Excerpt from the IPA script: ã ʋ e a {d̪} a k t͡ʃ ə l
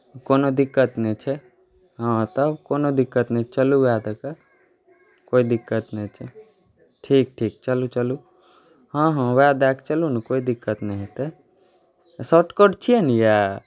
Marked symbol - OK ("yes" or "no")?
yes